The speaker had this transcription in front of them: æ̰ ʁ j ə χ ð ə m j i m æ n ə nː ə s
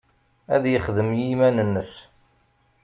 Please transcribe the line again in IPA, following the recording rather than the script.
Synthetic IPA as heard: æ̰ ð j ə χ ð ə m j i m æ n ə nː ə s